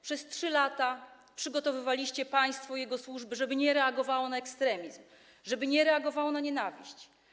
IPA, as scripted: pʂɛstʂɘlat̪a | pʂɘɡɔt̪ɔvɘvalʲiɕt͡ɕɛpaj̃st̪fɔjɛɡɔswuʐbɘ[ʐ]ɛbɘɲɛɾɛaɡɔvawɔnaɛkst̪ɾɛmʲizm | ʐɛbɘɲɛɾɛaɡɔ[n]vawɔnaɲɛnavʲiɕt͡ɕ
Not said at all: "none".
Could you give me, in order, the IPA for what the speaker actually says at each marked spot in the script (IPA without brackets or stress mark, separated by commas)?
ʐ, none